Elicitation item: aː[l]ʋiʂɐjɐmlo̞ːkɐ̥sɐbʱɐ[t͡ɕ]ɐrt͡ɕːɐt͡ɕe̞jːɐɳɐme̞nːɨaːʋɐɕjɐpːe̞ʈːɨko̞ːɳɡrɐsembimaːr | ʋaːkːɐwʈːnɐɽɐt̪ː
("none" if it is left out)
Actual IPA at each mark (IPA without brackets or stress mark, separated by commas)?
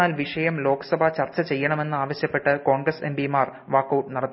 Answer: l, t͡ɕ